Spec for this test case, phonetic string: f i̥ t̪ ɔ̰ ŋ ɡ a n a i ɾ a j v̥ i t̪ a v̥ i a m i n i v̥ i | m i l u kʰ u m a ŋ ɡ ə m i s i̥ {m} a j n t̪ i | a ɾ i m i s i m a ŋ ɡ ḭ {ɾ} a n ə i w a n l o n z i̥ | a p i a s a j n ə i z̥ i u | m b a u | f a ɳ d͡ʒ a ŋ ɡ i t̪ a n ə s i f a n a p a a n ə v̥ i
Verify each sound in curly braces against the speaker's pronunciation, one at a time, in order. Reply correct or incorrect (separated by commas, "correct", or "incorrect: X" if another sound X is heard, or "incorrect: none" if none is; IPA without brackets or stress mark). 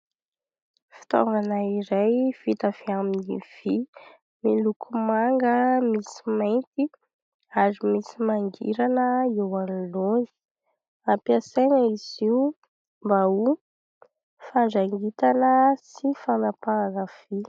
correct, correct